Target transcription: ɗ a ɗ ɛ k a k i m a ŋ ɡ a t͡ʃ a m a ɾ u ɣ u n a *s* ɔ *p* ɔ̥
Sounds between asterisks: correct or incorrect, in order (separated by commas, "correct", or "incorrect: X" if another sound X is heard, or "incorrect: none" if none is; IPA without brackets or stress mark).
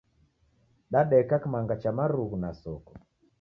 correct, incorrect: k